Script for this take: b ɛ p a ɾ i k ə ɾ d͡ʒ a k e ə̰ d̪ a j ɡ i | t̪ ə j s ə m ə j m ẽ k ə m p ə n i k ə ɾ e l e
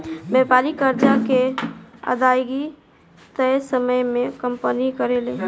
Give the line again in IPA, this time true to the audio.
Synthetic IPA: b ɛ p a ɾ i k ə ɾ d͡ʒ a k e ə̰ d̪ a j ɡ i | t̪ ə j s ə m ə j m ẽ k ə m p ə n i k ə ɾ e l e